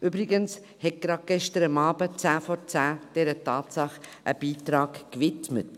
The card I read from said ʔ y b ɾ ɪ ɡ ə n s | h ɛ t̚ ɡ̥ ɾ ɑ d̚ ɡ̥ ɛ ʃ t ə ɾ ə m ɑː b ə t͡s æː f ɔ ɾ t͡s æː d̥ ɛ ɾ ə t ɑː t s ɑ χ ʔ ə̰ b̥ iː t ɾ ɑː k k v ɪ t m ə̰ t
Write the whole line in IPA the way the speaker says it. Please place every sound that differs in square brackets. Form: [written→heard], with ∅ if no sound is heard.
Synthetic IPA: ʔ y b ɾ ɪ ɡ ə n s | h ɛ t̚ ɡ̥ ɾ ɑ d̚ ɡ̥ ɛ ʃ t ə ɾ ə m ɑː b ə t͡s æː f ɔ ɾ t͡s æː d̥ ɛ ɾ ə t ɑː t s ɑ χ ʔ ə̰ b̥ iː t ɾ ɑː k k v ɪ t m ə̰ t